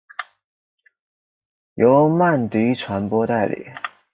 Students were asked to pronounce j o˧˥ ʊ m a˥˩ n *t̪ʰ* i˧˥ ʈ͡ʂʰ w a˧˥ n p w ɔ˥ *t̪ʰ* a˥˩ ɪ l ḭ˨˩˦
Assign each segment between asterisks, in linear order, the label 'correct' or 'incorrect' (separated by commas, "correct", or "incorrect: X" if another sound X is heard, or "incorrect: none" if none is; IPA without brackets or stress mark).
incorrect: t̪, incorrect: t̪